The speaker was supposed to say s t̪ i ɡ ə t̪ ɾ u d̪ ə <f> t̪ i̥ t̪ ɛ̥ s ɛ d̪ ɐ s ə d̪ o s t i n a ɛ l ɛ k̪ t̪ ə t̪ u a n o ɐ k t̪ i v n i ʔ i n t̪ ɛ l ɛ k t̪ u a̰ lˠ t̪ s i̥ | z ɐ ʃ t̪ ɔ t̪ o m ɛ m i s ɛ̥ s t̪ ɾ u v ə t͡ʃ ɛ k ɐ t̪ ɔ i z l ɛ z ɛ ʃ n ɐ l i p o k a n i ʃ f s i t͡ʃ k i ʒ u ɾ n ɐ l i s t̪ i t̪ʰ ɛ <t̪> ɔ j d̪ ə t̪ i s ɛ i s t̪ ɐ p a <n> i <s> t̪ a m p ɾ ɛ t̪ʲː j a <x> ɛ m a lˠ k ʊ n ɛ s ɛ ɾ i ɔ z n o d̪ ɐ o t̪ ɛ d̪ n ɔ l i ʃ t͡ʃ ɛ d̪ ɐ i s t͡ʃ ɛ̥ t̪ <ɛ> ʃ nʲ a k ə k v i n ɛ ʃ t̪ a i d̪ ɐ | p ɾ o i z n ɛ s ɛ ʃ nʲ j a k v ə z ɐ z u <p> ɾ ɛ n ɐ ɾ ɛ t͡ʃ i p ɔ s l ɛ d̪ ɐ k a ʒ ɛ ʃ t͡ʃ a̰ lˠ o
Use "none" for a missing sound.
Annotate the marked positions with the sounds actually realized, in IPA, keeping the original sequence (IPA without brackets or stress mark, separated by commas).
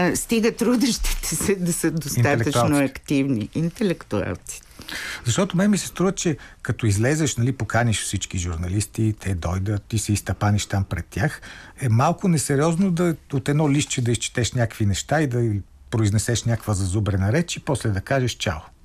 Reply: ʃ, d̪, n, ʃ, x, ɛ, b